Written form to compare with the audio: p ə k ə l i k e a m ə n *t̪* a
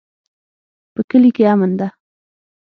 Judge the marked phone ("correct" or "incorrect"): incorrect